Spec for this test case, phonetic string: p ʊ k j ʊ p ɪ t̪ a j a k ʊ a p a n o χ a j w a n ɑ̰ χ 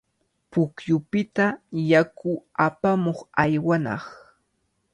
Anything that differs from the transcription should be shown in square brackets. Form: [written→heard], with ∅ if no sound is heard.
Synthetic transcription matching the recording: p ʊ k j ʊ p ɪ t̪ a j a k ʊ a p a [n→m] o χ a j w a n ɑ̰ χ